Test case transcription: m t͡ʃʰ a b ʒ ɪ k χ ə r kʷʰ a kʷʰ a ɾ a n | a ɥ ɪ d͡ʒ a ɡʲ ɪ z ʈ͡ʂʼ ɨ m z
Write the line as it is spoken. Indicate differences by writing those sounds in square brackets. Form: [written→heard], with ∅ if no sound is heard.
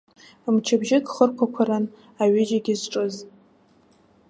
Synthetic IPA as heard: m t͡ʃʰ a b ʒ ɪ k χ ə r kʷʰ a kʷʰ a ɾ a n | a ɥ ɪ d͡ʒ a ɡʲ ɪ z ʈ͡ʂʼ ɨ [m→∅] z